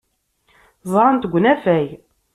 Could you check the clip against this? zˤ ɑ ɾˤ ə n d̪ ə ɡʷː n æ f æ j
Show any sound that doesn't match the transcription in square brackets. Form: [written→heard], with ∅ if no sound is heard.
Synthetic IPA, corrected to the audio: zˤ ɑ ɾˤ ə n [d̪→t̪] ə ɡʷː n æ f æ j